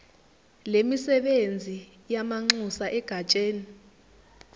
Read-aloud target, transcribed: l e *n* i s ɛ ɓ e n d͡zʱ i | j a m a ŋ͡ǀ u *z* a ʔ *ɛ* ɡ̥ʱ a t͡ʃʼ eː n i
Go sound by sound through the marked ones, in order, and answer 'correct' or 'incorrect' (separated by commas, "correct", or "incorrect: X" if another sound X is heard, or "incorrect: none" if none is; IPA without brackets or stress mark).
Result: incorrect: m, incorrect: s, correct